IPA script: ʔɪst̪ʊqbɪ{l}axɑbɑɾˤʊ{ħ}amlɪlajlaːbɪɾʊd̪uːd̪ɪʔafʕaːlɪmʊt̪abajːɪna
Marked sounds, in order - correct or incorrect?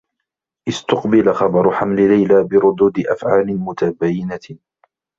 correct, correct

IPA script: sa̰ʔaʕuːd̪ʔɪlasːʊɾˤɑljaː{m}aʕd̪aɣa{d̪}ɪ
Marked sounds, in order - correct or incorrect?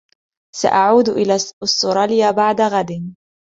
incorrect: b, correct

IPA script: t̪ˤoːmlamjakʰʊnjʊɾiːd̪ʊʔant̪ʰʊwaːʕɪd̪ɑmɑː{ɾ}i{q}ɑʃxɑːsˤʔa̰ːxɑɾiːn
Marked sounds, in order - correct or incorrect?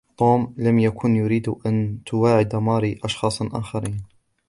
correct, incorrect: ʔ

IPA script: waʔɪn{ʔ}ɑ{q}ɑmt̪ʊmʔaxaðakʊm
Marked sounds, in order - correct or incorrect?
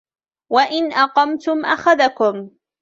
correct, correct

